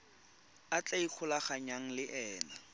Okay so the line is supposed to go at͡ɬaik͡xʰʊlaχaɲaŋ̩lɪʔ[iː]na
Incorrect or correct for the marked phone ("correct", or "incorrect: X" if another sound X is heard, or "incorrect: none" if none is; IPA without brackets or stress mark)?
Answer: incorrect: ɛː